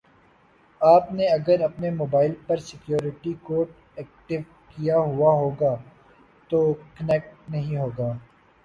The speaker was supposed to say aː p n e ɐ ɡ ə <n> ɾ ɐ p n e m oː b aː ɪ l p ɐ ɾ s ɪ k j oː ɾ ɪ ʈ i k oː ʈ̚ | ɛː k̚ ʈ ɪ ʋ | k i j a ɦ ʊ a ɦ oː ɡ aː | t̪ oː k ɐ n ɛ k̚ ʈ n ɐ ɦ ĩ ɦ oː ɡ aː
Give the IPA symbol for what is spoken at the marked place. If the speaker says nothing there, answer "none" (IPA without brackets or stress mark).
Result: none